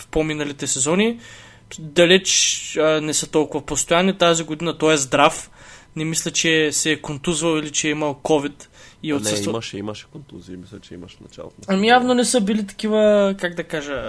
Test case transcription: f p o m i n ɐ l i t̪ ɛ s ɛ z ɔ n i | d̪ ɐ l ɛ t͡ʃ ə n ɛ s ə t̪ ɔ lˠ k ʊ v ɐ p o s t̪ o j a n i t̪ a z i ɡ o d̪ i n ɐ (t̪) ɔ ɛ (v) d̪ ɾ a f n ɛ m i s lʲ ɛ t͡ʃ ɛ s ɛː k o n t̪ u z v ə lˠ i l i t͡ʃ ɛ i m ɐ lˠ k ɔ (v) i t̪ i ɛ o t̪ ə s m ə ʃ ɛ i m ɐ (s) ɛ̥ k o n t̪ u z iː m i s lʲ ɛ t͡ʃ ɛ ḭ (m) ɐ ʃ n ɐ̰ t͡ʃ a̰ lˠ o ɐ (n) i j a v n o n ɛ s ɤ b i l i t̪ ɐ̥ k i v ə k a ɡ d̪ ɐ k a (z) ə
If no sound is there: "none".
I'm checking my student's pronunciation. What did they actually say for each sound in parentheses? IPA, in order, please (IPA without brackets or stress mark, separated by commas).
t̪, z, v, ʃ, m, m, ʒ